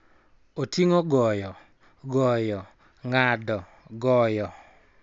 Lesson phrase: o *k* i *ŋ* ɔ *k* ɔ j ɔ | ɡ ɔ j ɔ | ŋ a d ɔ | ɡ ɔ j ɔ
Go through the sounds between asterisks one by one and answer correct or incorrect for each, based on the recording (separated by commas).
incorrect, correct, incorrect